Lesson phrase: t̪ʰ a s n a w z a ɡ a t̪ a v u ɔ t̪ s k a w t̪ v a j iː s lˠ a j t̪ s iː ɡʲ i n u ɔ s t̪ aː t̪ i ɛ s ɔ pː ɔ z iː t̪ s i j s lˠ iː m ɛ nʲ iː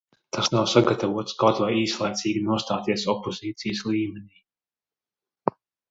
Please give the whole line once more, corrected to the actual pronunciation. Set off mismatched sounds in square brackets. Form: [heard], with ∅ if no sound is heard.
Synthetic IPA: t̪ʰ a s n a w [s] a ɡ a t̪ a v u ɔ t̪ s k a w t̪ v a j iː s lˠ a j t̪ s iː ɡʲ i n u ɔ s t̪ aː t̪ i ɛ s ɔ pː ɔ z iː t̪ s i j s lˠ iː m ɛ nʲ iː